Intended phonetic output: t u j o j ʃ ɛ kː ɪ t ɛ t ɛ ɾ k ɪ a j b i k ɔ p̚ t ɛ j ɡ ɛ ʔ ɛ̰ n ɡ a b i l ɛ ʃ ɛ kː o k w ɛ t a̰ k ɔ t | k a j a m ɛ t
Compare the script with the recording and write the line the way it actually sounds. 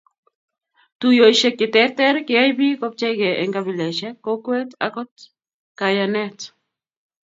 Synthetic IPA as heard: t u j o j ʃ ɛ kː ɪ t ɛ t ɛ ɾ k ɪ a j b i k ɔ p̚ t͡ʃ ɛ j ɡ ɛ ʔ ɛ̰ ŋ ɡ a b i l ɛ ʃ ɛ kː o k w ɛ t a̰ k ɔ t | k a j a n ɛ t